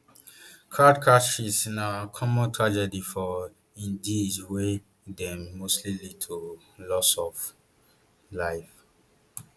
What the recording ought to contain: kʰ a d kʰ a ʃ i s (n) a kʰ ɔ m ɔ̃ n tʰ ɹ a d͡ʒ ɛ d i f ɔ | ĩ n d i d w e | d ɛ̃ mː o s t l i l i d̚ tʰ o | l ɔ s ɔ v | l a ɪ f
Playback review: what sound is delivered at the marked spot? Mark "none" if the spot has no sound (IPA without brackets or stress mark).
n